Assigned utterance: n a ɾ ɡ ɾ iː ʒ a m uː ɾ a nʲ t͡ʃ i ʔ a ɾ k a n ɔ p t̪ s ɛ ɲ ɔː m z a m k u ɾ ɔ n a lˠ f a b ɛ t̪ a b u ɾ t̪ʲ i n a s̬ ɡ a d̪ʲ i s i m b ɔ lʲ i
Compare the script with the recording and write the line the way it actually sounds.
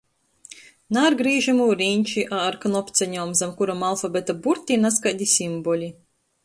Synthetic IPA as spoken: n a ɾ ɡ ɾ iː ʒ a m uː ɾ i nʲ t͡ʃ i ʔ a ɾ k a n ɔ p t̪ s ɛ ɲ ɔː m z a m k u ɾ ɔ m a lˠ f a b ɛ t̪ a b u ɾ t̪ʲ i n a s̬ k a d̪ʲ i s i m b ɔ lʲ i